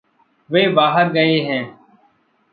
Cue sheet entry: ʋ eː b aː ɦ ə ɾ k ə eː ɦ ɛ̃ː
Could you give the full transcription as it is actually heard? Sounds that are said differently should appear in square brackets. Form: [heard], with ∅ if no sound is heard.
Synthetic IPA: ʋ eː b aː ɦ ə ɾ [ɡ] ə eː ɦ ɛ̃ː

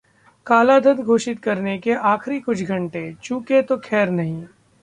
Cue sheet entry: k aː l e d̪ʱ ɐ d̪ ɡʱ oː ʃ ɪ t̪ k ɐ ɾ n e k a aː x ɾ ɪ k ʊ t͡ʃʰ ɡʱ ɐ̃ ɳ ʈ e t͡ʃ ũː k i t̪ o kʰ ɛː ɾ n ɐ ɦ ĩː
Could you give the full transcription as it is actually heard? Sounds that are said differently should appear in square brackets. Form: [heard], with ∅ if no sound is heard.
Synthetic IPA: k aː l [a] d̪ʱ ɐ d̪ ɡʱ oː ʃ ɪ t̪ k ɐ ɾ n e k [e] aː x ɾ [i] k ʊ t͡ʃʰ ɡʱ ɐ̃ ɳ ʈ e t͡ʃ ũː k [e] t̪ o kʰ ɛː ɾ n ɐ ɦ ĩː

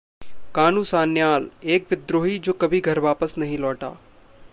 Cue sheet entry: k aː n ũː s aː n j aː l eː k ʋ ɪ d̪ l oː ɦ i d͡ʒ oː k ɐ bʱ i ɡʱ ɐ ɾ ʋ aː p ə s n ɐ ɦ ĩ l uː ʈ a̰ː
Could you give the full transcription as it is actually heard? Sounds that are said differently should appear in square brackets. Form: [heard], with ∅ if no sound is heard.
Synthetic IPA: k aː n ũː s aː n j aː l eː k ʋ ɪ d̪ [ɾ] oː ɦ i d͡ʒ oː k ɐ bʱ i ɡʱ ɐ ɾ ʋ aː p ə s n ɐ ɦ ĩ l [ɔː] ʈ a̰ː

